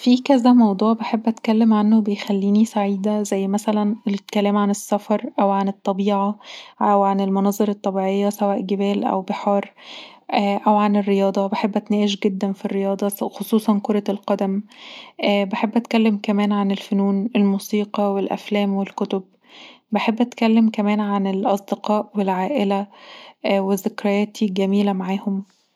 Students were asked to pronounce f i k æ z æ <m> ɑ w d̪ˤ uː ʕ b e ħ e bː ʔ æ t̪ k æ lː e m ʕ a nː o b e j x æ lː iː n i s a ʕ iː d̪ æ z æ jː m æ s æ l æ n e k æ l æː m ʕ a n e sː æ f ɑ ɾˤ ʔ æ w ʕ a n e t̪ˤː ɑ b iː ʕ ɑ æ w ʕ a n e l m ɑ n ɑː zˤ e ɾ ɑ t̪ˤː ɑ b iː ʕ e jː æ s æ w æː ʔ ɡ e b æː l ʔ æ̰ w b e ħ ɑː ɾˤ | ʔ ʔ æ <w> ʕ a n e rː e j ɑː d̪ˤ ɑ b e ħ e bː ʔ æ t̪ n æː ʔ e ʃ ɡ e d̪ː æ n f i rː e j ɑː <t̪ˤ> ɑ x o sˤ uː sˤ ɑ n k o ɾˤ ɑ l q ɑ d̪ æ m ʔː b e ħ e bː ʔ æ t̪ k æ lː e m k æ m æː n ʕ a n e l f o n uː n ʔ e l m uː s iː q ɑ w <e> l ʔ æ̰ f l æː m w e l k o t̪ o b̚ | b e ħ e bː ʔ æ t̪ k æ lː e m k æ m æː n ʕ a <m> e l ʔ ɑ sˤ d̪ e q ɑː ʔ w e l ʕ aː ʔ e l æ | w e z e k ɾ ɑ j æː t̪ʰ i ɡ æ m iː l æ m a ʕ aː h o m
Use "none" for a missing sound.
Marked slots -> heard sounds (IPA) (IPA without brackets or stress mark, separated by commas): m, w, d̪ˤ, e, n